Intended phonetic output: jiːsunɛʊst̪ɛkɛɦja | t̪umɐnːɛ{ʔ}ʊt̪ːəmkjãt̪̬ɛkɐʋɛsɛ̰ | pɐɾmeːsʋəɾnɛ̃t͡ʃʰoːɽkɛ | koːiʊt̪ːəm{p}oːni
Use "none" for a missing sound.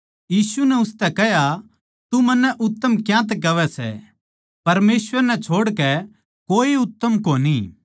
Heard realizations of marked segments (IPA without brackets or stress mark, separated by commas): ʔ, k